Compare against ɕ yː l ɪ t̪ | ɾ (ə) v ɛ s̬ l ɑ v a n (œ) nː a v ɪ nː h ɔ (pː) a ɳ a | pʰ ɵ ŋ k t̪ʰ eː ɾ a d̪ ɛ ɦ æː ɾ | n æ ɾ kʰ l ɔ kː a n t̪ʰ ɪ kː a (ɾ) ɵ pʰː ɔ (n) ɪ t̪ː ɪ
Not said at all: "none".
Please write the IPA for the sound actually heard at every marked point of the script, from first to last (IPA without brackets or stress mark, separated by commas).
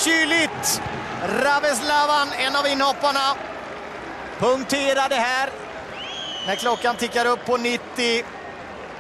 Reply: a, ɛ, pː, ɾ, n